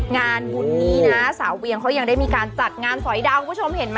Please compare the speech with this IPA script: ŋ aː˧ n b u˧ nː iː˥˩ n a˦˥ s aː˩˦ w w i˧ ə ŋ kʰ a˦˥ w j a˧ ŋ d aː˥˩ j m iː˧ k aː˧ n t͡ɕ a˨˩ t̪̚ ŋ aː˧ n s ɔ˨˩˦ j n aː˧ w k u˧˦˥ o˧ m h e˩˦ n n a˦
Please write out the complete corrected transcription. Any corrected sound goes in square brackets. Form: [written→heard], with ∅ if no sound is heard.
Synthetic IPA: ŋ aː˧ n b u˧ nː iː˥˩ n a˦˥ s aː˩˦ w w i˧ ə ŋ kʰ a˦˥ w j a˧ ŋ d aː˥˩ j m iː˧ k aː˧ n t͡ɕ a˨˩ t̪̚ ŋ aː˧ n s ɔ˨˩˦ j [n→d] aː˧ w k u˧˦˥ o˧ m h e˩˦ n [n→m] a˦